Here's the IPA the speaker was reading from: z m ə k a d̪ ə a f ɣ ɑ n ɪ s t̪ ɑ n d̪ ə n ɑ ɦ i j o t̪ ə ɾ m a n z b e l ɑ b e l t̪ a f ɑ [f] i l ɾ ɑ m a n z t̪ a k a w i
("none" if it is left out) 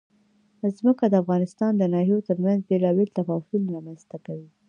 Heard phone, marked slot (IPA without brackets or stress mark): f